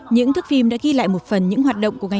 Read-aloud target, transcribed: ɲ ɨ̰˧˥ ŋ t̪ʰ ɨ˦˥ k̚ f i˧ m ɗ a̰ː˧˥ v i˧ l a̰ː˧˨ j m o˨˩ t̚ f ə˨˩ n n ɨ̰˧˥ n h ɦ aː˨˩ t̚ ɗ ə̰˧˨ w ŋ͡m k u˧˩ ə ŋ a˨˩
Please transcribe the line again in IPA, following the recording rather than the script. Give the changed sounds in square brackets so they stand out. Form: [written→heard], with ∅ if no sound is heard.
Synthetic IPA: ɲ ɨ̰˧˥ ŋ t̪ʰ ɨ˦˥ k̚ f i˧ m ɗ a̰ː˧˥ [v→ɣ] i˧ l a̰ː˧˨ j m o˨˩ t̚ f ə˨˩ n [n→ɲ] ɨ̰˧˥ [n→ŋ] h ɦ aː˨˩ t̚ ɗ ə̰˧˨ w ŋ͡m k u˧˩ ə ŋ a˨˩

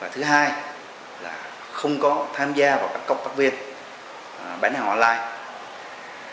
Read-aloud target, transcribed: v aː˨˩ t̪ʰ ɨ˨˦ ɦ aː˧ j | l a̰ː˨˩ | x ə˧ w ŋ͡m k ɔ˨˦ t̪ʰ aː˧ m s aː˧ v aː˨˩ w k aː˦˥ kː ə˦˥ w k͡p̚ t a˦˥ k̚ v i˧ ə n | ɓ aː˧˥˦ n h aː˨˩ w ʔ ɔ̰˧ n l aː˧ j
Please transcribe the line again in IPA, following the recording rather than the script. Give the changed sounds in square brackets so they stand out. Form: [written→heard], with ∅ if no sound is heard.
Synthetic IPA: v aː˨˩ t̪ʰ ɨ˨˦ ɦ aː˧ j | l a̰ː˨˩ | x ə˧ w ŋ͡m k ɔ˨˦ t̪ʰ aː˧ m [s→z] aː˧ v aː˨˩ w k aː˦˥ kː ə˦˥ w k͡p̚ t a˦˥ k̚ v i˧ ə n | ɓ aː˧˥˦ n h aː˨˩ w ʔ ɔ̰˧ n l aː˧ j

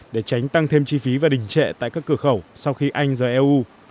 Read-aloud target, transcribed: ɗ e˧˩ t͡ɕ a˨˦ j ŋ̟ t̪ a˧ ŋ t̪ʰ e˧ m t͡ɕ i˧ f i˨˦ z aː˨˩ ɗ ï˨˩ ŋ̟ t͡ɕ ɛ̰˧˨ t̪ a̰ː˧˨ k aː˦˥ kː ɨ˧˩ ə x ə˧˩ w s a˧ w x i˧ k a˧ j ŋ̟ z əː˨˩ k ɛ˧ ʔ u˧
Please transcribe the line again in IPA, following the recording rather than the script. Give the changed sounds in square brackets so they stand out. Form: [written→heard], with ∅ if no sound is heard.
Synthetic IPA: ɗ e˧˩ t͡ɕ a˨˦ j ŋ̟ t̪ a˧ ŋ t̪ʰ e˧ m t͡ɕ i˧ f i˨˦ [z→v] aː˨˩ ɗ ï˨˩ ŋ̟ t͡ɕ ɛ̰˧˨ t̪ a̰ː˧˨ k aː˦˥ kː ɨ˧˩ ə x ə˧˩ w s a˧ w x i˧ [k→ʔ] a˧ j ŋ̟ z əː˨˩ [k→ʔ] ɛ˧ ʔ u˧

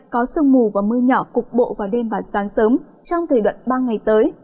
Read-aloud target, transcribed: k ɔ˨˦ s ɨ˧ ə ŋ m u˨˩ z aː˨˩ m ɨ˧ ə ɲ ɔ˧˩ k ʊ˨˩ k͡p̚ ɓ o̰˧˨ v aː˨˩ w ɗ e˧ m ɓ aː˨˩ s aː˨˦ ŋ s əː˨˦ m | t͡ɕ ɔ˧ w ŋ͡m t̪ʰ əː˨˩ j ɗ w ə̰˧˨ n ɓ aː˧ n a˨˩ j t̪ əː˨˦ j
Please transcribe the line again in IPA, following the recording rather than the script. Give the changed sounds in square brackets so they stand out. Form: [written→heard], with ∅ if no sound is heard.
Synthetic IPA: k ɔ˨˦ s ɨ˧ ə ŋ m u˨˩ [z→v] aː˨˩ m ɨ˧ ə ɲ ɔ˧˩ k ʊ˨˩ k͡p̚ ɓ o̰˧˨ v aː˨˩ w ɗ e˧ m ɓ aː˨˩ s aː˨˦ ŋ s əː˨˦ m | t͡ɕ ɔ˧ w ŋ͡m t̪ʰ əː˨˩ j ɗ w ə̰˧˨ n ɓ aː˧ [n→ŋ] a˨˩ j t̪ əː˨˦ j

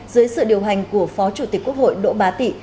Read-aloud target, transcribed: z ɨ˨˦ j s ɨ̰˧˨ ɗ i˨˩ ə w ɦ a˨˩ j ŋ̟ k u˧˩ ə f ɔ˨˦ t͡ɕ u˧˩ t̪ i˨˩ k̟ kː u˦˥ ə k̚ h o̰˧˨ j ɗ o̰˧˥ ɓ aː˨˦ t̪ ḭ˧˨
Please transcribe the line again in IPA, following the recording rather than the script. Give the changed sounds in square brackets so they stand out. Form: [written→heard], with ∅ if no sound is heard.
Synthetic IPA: z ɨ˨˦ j s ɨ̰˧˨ ɗ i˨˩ ə w ɦ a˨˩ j ŋ̟ k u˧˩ ə f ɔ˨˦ t͡ɕ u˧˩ t̪ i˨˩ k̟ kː u˦˥ ə k̚ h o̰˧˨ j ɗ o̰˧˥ ɓ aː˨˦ t̪ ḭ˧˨

